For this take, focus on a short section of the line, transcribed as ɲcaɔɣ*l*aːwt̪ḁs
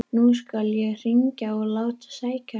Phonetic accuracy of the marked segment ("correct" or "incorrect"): correct